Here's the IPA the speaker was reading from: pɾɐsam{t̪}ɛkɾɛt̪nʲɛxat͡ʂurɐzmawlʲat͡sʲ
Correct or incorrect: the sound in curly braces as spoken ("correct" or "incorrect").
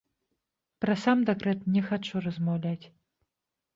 incorrect